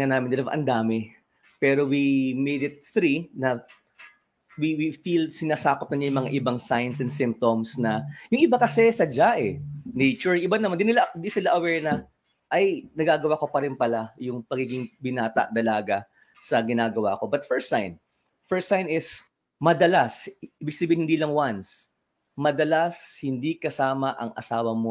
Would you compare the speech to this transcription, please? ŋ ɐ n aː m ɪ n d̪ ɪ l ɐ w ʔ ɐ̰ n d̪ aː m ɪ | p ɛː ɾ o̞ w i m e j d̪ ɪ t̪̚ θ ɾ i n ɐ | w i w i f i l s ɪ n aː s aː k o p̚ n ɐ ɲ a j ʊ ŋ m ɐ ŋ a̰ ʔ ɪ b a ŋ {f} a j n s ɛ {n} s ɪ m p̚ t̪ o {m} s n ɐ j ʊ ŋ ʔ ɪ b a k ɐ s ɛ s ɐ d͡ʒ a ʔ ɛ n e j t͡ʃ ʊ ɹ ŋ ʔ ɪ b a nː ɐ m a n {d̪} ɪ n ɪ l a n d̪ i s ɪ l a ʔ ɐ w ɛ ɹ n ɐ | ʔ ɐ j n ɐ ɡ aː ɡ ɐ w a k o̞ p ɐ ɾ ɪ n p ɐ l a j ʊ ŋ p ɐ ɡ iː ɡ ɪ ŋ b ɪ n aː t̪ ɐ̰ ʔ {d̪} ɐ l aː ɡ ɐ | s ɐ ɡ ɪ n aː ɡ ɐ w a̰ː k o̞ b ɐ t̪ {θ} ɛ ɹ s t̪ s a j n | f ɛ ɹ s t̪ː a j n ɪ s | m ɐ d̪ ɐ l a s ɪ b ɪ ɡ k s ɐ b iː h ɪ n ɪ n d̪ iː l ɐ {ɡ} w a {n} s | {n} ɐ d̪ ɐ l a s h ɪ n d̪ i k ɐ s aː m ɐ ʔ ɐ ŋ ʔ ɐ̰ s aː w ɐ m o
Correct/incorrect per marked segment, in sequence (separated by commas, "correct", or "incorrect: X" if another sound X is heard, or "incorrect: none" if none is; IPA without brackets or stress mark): incorrect: s, correct, correct, correct, correct, incorrect: f, incorrect: ŋ, correct, incorrect: m